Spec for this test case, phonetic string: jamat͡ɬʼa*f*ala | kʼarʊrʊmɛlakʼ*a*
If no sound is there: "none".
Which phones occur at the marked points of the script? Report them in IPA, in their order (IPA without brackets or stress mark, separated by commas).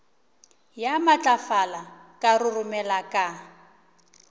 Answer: f, a